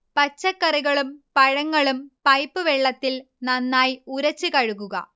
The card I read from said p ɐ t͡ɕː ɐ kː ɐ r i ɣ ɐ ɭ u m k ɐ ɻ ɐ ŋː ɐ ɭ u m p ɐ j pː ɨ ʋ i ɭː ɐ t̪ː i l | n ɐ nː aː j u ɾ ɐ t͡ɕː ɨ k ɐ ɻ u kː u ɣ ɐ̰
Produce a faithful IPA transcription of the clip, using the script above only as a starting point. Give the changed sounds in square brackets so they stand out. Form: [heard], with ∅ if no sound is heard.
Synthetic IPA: p ɐ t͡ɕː ɐ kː ɐ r i ɣ ɐ ɭ u m [p] ɐ ɻ ɐ ŋː ɐ ɭ u m p ɐ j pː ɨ ʋ [e] ɭː ɐ t̪ː i l | n ɐ nː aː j u ɾ ɐ t͡ɕː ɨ k ɐ ɻ u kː u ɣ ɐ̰